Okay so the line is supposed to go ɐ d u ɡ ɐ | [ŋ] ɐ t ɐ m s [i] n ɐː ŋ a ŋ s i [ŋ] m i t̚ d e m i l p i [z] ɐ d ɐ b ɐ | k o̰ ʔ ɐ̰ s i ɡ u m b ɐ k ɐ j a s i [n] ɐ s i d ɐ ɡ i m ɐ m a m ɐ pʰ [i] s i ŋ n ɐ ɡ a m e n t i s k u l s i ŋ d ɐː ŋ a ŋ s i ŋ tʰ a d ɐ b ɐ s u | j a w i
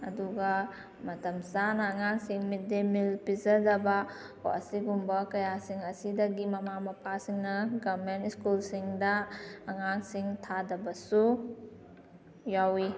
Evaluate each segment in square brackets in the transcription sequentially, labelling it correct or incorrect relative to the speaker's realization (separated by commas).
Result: incorrect, incorrect, correct, correct, incorrect, incorrect